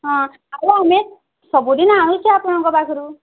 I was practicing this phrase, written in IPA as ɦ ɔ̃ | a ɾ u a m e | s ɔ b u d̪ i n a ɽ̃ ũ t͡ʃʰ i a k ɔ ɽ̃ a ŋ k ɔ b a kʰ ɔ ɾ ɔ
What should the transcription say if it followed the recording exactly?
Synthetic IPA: ɦ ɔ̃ | a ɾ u a m e | s ɔ b u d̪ i n a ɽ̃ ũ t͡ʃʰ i a p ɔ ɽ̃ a ŋ k ɔ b a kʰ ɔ ɾ u